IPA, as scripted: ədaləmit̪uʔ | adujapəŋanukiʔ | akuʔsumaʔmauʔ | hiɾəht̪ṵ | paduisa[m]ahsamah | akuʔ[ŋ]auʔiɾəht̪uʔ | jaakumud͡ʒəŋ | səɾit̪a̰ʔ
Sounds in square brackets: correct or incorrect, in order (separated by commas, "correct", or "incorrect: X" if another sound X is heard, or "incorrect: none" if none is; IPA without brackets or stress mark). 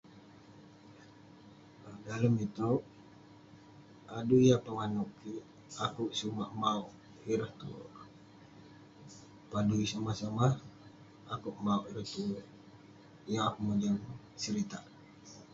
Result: correct, incorrect: m